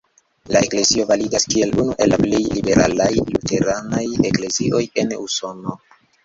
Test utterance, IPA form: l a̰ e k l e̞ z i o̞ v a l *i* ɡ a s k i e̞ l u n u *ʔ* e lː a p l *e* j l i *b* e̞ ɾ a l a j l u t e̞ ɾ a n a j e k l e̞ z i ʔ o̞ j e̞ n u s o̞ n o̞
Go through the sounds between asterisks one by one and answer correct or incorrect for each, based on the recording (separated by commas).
correct, correct, correct, correct